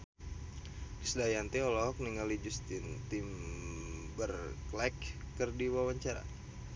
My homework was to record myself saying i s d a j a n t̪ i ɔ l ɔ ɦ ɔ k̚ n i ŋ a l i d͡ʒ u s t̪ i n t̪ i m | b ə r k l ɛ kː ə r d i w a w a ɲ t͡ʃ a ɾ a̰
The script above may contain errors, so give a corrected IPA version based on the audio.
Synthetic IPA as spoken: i s d a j a n t̪ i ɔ l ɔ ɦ ɔ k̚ n i ŋ a l i d͡ʒ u s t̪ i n t̪ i m | b ə r k l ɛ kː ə r d i w a w a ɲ t͡ʃ a ɾ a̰